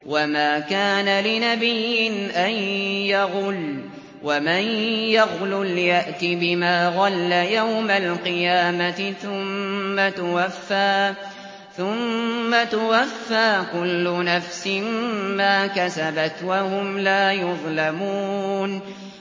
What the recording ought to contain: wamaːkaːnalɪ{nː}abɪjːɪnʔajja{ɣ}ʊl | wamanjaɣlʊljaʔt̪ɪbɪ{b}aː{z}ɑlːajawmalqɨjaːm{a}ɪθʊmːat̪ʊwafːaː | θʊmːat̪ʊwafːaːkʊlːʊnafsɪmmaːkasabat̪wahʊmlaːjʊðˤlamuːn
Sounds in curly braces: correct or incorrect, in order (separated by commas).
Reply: incorrect, correct, incorrect, incorrect, correct